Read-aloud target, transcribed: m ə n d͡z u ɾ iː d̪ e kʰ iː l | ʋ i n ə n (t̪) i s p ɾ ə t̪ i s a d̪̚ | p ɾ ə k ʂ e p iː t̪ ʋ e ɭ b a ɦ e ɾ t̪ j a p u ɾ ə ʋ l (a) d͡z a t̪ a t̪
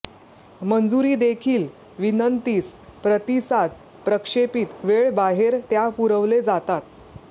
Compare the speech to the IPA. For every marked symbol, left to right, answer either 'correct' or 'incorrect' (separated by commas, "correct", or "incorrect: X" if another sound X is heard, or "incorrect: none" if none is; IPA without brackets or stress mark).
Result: correct, incorrect: e